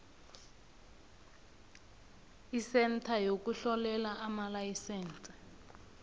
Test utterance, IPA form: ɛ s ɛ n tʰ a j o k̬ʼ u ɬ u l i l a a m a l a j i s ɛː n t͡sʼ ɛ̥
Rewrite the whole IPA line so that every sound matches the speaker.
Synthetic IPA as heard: i s ɛ n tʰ a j o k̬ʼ u ɬ ɔ l ɛ l a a m a l a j i s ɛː n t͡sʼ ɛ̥